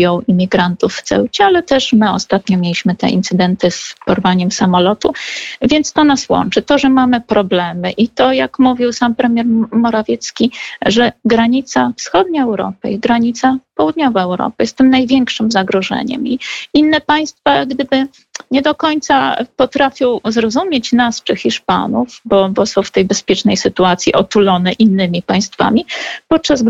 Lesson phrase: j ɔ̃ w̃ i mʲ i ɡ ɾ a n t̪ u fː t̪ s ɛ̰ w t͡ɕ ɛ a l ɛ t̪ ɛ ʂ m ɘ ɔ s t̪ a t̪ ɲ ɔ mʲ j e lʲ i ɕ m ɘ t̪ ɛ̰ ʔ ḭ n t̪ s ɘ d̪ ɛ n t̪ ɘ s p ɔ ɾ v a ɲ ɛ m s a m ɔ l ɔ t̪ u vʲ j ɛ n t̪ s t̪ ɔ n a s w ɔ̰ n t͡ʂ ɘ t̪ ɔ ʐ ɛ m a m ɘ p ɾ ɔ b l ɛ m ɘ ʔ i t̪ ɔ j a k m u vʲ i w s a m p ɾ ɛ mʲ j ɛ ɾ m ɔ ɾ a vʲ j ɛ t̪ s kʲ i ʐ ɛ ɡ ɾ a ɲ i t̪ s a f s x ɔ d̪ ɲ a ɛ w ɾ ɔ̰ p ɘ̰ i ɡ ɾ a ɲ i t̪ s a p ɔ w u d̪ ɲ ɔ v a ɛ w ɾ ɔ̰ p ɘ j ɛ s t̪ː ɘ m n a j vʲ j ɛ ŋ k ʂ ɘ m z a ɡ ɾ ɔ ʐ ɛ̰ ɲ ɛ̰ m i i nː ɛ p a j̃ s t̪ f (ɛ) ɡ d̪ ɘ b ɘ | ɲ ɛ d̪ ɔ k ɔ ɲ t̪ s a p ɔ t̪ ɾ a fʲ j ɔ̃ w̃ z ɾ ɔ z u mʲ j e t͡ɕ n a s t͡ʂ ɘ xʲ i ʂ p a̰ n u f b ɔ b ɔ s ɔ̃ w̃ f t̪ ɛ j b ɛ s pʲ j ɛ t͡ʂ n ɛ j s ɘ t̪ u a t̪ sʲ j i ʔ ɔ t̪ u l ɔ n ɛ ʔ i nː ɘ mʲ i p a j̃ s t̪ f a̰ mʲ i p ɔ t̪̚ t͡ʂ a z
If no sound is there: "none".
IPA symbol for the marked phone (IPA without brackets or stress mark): a